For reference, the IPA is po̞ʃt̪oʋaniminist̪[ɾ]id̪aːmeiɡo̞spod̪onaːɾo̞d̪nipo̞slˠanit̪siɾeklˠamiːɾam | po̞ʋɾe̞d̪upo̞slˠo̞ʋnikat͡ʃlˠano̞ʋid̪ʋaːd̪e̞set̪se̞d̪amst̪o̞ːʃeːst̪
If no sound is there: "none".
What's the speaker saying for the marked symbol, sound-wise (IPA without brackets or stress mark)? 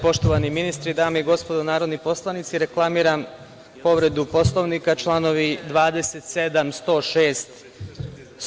ɾ